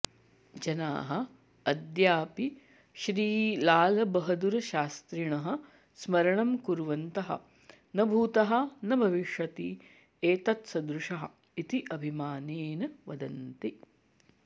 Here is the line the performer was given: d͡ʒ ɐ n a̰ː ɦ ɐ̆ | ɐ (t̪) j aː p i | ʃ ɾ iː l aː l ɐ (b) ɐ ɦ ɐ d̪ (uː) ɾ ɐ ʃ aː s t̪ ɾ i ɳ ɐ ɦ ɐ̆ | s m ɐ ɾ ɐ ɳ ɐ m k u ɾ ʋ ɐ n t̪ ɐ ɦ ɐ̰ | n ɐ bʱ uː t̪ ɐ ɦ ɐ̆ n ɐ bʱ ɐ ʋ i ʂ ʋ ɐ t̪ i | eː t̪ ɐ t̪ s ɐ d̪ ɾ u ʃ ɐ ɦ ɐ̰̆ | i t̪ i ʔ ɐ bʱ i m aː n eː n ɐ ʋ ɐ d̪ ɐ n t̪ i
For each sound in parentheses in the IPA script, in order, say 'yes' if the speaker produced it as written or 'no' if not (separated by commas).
no, yes, no